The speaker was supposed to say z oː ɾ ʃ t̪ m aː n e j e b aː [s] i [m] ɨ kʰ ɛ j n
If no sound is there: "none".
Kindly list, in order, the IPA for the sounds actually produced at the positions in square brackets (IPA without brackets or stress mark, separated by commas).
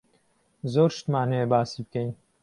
s, b